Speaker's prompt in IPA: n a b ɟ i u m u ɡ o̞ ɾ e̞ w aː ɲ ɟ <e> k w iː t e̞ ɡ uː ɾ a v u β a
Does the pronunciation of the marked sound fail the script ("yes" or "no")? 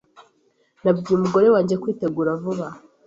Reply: no